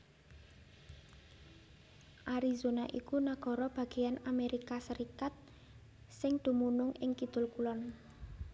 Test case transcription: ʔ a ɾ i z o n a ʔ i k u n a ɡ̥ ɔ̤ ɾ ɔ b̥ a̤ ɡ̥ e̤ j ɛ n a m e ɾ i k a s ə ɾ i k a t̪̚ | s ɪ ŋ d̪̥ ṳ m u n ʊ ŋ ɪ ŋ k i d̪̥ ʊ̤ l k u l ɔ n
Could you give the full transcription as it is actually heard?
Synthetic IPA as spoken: ʔ a ɾ i z o n a ʔ i k u n a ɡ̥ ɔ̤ ɾ ɔ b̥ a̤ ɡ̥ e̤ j a n a m e ɾ i k a s ə ɾ i k a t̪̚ | s ɪ ŋ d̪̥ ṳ m u n ʊ ŋ ɪ ŋ k i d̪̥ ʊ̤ l k u l ɔ n